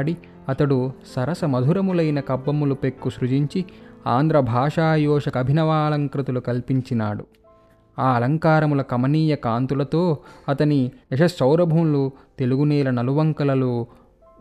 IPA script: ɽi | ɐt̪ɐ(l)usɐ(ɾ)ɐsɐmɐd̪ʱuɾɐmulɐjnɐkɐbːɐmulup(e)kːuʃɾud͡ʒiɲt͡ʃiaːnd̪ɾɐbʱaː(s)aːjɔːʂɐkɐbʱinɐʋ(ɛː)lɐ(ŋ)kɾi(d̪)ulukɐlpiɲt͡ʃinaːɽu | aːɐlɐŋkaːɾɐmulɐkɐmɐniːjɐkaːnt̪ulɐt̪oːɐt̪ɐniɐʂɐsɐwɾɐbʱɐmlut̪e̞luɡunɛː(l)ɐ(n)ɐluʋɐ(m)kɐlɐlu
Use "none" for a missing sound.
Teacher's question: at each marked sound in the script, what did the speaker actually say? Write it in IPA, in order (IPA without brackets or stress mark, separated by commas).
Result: ɽ, ɾ, e, ʂ, aː, ŋ, t̪, l, n, ŋ